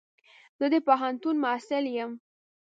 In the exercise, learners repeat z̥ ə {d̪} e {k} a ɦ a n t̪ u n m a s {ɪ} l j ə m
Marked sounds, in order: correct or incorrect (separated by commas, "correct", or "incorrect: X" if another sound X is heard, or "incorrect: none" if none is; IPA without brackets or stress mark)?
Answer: correct, incorrect: p, correct